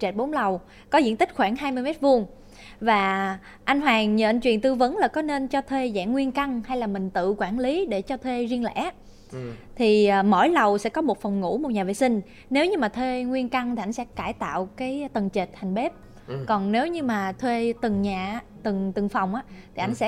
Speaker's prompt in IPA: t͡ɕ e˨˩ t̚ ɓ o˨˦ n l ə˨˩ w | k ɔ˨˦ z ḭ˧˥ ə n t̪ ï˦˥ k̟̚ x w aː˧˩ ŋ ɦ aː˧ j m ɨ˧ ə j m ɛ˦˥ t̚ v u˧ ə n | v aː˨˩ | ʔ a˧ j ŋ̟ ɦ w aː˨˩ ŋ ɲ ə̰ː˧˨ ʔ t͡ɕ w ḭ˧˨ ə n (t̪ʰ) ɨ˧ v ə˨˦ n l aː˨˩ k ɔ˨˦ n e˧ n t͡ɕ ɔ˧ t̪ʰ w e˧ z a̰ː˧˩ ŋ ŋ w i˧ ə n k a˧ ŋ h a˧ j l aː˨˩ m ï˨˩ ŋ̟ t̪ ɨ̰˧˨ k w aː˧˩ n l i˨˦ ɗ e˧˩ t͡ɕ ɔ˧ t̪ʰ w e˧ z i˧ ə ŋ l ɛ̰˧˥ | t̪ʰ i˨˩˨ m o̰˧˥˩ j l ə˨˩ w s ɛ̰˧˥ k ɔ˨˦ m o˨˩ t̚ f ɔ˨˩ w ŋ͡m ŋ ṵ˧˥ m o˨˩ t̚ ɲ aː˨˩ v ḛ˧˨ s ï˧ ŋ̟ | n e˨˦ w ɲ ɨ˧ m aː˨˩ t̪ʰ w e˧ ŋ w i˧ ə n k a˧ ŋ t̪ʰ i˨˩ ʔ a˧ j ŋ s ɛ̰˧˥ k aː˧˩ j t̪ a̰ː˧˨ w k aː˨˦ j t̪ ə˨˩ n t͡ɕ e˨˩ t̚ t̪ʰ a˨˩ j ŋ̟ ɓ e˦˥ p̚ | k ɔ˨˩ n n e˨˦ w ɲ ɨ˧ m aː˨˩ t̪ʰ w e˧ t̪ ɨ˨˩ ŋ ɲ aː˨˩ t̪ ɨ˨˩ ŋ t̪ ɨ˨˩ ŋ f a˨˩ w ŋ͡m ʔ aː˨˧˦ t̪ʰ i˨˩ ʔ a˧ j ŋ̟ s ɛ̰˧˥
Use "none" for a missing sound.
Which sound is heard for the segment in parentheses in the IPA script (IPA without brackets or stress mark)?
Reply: t̪